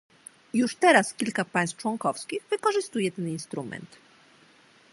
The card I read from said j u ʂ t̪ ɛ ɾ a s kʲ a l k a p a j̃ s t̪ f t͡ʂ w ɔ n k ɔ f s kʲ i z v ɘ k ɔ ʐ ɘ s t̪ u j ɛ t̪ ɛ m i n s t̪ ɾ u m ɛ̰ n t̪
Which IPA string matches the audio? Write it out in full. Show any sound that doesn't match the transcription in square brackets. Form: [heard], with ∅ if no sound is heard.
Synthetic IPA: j u ʂ t̪ ɛ ɾ a s kʲ [i] l k a p a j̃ s t̪ f t͡ʂ w ɔ [ŋ] k ɔ f s kʲ i [ɣ] v ɘ k ɔ ʐ ɘ s t̪ u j ɛ t̪ ɛ [n] i n s t̪ ɾ u m ɛ̰ n t̪